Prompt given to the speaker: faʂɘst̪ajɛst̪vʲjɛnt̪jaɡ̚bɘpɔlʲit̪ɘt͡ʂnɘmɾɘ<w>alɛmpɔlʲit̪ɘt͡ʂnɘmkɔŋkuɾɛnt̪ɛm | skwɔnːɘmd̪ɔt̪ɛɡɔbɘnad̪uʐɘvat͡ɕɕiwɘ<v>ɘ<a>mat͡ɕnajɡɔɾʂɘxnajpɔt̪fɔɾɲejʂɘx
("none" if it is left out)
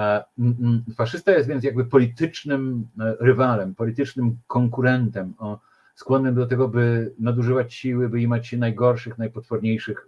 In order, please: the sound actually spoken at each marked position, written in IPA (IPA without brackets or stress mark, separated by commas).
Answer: v, b, i